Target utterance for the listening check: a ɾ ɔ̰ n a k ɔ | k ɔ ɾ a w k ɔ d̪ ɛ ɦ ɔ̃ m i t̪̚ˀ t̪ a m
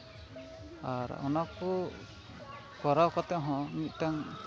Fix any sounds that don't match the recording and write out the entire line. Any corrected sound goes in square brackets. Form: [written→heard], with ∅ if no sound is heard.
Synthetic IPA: a ɾ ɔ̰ n a k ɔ | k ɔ ɾ a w k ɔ [d̪→t̪] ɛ ɦ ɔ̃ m i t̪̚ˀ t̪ a [m→ŋ]